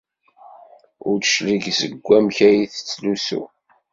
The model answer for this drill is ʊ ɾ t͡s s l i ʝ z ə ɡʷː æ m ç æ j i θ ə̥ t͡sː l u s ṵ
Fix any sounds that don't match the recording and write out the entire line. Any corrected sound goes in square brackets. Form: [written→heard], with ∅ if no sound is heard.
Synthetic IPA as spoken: ʊ ɾ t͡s [s→ʃ] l i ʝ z ə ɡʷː æ m ç æ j i θ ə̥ t͡sː l u s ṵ